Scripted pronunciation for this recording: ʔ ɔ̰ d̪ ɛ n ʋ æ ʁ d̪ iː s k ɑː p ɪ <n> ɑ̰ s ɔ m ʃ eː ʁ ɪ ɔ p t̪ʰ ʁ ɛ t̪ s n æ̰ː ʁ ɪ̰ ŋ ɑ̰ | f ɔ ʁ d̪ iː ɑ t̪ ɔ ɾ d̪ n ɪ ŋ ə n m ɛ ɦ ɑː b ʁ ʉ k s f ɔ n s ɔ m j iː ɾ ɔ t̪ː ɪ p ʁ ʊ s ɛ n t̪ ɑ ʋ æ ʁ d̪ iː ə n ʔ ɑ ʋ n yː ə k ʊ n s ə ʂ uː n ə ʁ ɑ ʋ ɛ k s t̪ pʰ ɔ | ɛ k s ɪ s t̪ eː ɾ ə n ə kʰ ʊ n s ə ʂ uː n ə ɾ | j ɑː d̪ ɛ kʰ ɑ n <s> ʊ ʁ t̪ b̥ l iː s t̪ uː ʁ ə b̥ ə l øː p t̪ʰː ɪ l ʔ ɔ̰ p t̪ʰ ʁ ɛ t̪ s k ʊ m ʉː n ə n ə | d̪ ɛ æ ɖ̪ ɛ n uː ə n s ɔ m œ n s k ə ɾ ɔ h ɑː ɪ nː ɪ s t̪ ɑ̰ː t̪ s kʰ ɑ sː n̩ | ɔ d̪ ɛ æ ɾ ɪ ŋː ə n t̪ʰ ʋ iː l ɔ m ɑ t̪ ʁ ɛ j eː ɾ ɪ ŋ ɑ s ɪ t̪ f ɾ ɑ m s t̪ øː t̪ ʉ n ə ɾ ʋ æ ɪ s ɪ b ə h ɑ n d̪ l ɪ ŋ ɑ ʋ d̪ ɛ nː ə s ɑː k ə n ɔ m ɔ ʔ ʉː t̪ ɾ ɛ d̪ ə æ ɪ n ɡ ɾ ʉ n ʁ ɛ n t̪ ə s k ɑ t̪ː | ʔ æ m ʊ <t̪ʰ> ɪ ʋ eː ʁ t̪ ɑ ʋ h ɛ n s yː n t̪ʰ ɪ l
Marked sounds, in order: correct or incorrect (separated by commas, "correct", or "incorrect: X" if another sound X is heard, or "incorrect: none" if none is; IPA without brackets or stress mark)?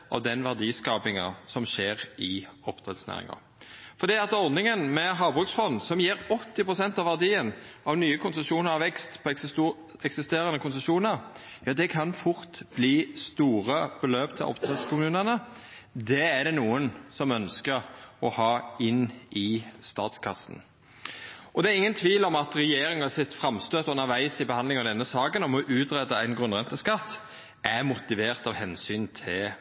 incorrect: ŋ, incorrect: f, incorrect: t̪